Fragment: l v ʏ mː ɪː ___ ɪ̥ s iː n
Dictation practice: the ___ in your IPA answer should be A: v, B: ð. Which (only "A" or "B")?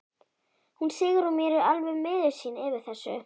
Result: B